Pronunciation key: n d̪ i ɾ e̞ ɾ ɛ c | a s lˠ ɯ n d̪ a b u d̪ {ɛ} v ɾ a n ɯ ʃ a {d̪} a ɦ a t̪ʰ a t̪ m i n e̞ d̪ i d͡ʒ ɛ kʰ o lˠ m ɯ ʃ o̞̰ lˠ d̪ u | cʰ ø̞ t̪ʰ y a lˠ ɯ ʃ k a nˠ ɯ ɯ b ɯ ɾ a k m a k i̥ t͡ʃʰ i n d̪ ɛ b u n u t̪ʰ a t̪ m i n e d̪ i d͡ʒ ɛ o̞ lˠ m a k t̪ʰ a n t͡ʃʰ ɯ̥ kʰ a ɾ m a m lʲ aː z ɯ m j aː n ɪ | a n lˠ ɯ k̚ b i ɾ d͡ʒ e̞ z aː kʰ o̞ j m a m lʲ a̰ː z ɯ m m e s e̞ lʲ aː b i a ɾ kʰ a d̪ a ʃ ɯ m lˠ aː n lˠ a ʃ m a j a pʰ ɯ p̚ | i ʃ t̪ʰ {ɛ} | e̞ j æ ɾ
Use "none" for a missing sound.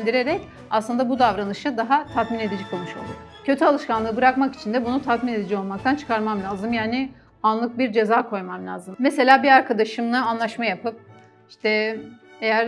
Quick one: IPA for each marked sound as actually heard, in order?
a, d̪, ɛ

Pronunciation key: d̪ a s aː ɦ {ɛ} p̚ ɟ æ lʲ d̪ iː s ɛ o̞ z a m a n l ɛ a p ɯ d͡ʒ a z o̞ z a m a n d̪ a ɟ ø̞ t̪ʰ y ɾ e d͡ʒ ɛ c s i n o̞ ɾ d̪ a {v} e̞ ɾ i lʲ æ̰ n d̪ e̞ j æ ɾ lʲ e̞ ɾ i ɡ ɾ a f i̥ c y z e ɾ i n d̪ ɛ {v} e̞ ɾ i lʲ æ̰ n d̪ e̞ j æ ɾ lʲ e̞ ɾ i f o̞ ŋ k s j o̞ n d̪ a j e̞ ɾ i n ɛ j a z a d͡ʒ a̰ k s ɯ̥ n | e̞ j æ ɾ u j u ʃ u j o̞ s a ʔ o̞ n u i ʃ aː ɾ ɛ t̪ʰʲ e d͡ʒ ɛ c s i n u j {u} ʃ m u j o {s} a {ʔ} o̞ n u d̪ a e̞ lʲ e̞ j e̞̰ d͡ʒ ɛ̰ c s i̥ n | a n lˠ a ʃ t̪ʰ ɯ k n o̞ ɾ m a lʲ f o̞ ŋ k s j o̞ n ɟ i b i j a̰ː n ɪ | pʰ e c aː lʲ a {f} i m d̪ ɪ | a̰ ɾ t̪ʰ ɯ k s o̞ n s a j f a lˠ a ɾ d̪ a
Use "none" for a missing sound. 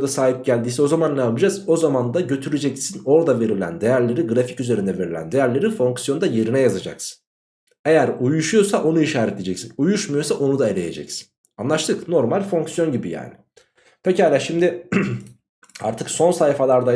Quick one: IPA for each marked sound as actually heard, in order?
i, v, v, u, s, ʔ, ʃ

